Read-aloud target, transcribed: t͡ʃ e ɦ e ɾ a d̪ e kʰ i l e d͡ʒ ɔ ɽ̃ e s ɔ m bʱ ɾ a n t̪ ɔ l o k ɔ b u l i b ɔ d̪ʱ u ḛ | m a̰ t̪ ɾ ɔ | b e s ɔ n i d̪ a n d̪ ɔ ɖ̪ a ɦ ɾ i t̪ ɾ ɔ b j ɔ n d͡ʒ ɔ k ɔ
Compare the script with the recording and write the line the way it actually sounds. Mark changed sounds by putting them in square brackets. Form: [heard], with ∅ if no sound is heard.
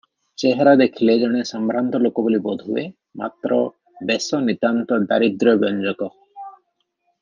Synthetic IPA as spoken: t͡ʃ e ɦ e ɾ a d̪ e kʰ i l e d͡ʒ ɔ ɽ̃ e s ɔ m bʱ ɾ a n t̪ ɔ l o k ɔ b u l i b ɔ d̪ʱ u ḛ | m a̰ t̪ ɾ ɔ | b e s ɔ n i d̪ a n [t̪] ɔ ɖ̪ a [∅] ɾ i [d̪] ɾ ɔ b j ɔ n d͡ʒ ɔ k ɔ

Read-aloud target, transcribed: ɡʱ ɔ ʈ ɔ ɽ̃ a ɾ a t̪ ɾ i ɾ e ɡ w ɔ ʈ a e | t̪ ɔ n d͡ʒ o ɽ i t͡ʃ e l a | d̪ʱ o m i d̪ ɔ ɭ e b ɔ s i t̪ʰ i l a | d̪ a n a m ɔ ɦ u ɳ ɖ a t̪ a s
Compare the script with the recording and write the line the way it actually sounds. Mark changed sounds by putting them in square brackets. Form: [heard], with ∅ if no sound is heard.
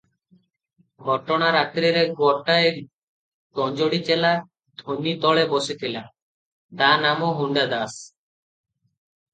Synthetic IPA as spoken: ɡʱ ɔ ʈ ɔ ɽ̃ a ɾ a t̪ ɾ i ɾ e ɡ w ɔ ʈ a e | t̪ ɔ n d͡ʒ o ɽ i t͡ʃ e l a | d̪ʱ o [n] i [t̪] ɔ ɭ e b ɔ s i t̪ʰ i l a | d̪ a n a m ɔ ɦ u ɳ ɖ a [d̪] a s

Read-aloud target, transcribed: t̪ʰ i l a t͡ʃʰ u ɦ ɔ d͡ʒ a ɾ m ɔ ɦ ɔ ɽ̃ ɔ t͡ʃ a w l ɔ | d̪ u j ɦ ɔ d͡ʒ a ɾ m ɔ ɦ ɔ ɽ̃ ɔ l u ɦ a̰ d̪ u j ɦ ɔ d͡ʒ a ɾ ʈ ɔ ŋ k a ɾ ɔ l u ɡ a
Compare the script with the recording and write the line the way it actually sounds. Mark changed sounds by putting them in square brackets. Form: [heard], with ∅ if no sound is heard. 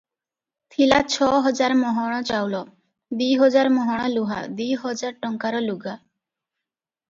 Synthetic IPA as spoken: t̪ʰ i l a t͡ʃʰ [ɔ] ɦ ɔ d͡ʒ a ɾ m ɔ ɦ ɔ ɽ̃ ɔ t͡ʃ a w l ɔ | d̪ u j ɦ ɔ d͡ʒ a ɾ m ɔ ɦ ɔ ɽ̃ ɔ l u ɦ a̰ d̪ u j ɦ ɔ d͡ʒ a ɾ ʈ ɔ ŋ k a ɾ ɔ l u ɡ a

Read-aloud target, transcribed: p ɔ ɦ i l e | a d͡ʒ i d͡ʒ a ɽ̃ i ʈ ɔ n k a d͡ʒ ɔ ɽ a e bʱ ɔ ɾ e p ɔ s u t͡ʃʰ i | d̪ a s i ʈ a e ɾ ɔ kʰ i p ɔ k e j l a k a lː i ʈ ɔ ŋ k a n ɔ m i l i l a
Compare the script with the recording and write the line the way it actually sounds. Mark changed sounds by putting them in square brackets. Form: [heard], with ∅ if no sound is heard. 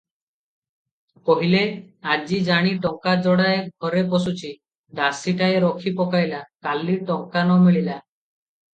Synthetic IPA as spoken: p ɔ ɦ i l e | a d͡ʒ i d͡ʒ a ɽ̃ i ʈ ɔ [ŋ] k a d͡ʒ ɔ ɽ a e [ɡʱ] ɔ ɾ e p ɔ s u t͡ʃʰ i | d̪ a s i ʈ a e ɾ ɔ kʰ i p ɔ k [a] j l a k a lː i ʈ ɔ ŋ k a n ɔ m i [ɭ] i l a

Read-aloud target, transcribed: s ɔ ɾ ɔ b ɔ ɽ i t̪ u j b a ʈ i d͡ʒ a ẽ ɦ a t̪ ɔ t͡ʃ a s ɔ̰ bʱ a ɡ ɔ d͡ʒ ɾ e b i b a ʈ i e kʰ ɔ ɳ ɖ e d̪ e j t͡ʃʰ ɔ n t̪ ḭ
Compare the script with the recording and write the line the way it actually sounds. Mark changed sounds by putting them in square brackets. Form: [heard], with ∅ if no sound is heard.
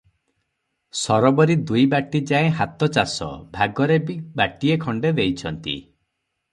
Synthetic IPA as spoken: s ɔ ɾ ɔ b ɔ [ɾ] i [d̪] u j b a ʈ i d͡ʒ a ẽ ɦ a t̪ ɔ t͡ʃ a s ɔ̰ bʱ a ɡ ɔ [∅] ɾ e b i b a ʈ i e kʰ ɔ ɳ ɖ e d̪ e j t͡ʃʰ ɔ n t̪ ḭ

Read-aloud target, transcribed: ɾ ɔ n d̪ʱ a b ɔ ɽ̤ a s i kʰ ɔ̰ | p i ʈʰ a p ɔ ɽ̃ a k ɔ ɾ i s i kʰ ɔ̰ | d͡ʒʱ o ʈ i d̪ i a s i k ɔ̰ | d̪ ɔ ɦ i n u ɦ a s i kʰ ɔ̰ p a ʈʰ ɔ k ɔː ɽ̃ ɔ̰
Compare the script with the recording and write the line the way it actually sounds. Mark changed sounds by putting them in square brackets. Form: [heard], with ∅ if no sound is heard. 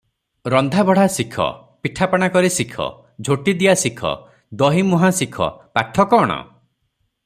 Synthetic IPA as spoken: ɾ ɔ n d̪ʱ a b ɔ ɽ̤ a s i kʰ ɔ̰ | p i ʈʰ a p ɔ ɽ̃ a k ɔ ɾ i s i kʰ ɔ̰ | d͡ʒʱ o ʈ i d̪ i a s i [kʰ] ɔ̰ | d̪ ɔ ɦ i [m] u ɦ a s i kʰ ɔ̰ p a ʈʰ ɔ k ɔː ɽ̃ ɔ̰

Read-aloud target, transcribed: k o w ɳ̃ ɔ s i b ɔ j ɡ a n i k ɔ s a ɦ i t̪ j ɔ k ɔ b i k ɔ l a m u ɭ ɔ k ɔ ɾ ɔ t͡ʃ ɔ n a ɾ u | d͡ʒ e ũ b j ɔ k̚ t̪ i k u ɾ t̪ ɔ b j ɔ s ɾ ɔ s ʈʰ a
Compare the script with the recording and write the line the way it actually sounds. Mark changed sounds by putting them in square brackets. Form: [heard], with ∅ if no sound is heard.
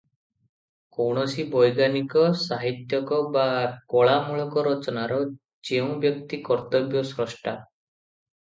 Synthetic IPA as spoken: k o w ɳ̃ ɔ s i b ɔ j ɡ a n i k ɔ s a ɦ i t̪ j ɔ k ɔ b [a] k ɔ [ɭ] a m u ɭ ɔ k ɔ ɾ ɔ t͡ʃ ɔ n a ɾ [ɔ] | d͡ʒ e ũ b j ɔ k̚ t̪ i k [ɔ] ɾ t̪ ɔ b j ɔ s ɾ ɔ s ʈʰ a

